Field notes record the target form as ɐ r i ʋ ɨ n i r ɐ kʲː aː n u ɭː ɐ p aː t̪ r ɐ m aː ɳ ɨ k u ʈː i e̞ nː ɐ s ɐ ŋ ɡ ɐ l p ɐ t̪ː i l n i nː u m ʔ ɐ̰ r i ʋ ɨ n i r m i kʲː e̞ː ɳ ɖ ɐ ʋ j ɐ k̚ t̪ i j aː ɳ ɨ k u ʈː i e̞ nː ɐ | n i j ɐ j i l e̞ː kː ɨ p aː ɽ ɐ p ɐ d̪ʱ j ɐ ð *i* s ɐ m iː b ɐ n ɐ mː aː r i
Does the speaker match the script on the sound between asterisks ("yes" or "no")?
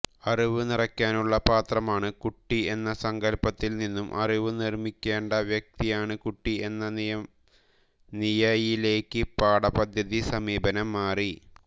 yes